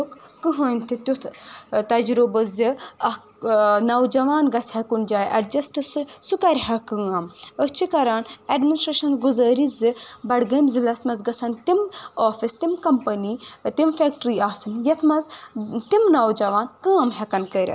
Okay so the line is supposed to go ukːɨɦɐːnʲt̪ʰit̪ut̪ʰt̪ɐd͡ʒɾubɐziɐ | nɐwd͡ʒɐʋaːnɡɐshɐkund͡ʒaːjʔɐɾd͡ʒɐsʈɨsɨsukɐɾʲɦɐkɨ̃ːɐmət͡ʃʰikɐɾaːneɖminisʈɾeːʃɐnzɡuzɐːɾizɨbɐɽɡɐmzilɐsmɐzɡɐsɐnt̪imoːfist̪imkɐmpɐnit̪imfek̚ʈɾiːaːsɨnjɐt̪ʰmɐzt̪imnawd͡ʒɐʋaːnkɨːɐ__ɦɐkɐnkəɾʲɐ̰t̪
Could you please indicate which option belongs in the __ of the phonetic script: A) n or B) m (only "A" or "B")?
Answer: B